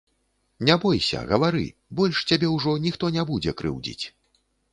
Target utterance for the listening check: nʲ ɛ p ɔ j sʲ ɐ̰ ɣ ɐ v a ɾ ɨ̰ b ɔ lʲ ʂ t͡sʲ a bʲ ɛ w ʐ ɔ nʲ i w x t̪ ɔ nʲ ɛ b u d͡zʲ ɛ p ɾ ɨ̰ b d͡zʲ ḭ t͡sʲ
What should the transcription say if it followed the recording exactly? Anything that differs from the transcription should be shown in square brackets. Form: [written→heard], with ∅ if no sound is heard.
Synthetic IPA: nʲ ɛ [p→b] ɔ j sʲ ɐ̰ ɣ ɐ v a ɾ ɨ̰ b ɔ lʲ ʂ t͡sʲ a bʲ ɛ w ʐ ɔ nʲ i [w→∅] x t̪ ɔ nʲ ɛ b u d͡zʲ ɛ [p→k] ɾ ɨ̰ [b→w] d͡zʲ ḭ t͡sʲ